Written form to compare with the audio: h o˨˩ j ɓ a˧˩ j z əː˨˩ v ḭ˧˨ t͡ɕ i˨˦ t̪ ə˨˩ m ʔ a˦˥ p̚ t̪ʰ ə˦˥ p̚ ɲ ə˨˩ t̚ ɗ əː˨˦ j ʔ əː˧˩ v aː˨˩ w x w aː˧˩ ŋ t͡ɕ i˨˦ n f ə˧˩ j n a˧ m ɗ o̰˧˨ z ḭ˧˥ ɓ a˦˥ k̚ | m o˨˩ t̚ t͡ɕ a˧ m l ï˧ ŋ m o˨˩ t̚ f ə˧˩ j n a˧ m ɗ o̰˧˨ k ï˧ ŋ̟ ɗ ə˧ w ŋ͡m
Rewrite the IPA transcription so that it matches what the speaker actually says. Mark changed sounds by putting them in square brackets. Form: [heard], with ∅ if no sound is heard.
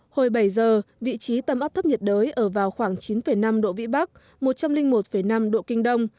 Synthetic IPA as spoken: h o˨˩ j ɓ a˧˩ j z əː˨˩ v ḭ˧˨ t͡ɕ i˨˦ t̪ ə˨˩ m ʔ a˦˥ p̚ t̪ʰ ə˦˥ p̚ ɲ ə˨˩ t̚ ɗ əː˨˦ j ʔ əː˧˩ v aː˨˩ w x w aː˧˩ ŋ t͡ɕ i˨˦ n f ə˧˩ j n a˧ m ɗ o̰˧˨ [v] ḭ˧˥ ɓ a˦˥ k̚ | m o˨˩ t̚ t͡ɕ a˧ m l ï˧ ŋ m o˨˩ t̚ f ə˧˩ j n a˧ m ɗ o̰˧˨ k ï˧ ŋ̟ ɗ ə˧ w ŋ͡m